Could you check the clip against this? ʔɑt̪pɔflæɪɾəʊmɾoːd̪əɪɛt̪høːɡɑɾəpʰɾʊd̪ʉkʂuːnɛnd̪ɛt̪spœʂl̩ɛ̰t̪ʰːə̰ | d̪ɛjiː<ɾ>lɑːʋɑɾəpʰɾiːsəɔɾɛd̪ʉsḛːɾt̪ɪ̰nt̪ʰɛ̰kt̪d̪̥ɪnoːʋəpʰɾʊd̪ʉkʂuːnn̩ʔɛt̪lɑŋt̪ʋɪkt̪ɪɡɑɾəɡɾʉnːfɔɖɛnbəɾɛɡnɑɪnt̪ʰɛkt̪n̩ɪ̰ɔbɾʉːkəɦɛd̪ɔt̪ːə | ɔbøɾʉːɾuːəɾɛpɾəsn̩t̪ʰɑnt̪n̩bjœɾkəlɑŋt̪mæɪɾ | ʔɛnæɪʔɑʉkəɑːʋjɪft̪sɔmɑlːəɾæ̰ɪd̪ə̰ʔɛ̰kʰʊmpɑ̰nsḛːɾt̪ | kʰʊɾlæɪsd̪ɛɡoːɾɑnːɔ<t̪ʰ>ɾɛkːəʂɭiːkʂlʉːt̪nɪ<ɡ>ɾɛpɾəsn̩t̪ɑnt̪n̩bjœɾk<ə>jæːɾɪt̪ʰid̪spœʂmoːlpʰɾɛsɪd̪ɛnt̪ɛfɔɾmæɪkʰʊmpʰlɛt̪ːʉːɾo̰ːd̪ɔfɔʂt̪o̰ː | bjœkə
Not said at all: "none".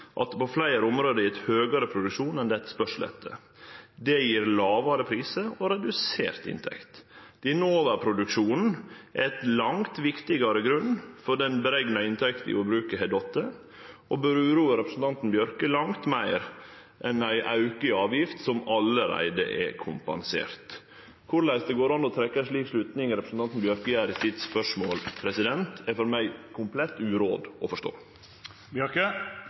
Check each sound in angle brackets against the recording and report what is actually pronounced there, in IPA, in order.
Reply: ɾ, t̪ʰ, ŋ, ə

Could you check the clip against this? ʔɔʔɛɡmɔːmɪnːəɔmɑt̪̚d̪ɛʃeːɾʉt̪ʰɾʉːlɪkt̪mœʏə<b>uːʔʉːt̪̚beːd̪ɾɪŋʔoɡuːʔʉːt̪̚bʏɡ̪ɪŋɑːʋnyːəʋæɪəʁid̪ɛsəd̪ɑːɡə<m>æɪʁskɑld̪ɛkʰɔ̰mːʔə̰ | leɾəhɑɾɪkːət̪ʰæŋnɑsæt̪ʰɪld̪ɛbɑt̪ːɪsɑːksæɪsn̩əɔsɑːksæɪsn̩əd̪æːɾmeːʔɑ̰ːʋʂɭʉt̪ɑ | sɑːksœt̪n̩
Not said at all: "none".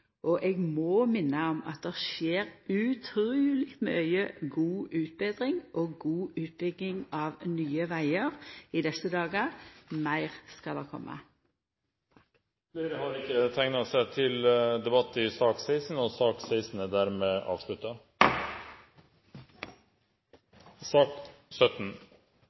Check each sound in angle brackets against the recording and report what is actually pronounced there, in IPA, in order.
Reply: ɡ, m

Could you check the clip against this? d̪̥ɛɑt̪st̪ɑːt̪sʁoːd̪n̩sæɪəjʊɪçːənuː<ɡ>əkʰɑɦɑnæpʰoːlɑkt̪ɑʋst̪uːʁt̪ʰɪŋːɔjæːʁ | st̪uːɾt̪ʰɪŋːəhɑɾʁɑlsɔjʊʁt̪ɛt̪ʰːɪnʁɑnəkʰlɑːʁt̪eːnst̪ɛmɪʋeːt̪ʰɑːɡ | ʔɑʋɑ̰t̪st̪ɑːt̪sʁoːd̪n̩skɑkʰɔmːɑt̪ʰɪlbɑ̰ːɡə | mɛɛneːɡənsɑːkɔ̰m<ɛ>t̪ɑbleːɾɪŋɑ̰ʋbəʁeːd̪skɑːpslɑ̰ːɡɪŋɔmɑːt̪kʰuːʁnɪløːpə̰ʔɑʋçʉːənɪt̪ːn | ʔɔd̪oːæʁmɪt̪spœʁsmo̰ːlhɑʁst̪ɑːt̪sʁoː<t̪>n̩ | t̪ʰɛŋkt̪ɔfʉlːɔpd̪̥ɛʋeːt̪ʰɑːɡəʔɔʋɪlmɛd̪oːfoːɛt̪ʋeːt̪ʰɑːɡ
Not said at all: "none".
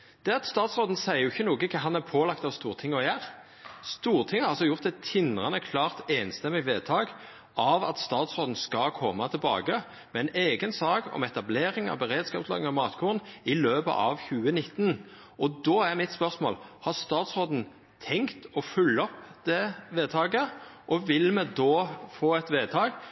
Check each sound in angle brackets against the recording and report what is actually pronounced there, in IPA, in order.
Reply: ɡ, ɛ, d̪

